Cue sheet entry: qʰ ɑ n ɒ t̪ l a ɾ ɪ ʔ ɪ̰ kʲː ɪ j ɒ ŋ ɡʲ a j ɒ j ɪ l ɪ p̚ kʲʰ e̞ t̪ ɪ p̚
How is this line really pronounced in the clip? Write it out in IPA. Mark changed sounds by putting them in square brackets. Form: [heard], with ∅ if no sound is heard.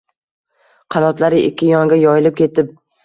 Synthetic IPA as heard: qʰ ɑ n ɒ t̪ l a ɾ ɪ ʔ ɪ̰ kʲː ɪ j ɒ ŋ ɡʲ a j ɒ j ɪ l ɪ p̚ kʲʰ e̞ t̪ ɪ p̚